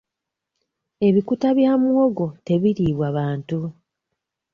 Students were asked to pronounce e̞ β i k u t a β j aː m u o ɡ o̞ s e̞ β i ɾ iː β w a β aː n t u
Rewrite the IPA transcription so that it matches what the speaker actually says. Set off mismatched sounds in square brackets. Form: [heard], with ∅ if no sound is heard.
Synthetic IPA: e̞ β i k u t a β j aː m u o ɡ o̞ [t] e̞ β i ɾ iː β w a β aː n t u